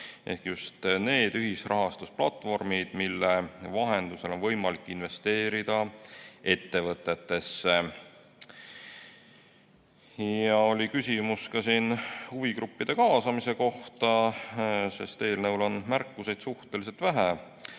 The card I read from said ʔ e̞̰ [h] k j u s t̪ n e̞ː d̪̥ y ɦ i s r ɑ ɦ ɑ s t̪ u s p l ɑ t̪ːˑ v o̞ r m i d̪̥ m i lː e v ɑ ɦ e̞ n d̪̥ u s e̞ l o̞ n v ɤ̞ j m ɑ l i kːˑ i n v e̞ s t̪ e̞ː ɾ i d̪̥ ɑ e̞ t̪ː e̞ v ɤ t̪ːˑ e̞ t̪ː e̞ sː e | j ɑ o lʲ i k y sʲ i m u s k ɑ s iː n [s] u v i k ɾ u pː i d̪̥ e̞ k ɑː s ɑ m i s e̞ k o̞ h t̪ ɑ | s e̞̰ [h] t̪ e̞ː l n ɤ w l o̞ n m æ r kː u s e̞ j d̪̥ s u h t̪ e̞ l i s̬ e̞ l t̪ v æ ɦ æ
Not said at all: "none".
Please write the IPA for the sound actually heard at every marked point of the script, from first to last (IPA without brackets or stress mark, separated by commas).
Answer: h, h, s